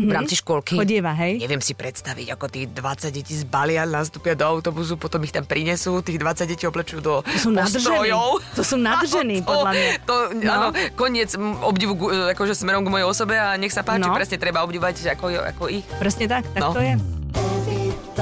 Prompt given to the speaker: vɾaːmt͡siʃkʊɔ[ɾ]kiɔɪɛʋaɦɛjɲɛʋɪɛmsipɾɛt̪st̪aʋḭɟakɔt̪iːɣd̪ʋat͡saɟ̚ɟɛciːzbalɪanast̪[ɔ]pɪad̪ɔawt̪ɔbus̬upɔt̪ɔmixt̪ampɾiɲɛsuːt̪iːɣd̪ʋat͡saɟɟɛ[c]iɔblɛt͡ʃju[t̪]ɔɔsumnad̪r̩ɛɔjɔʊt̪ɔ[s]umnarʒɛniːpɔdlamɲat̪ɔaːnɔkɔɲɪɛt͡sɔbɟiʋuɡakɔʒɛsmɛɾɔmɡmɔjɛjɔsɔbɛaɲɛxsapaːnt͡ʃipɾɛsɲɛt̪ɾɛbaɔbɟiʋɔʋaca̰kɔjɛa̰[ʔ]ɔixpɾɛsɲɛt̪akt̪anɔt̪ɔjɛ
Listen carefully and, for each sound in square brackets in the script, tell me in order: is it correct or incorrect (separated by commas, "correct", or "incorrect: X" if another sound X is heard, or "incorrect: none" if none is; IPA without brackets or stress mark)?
incorrect: l, incorrect: u, correct, incorrect: d̪, correct, incorrect: k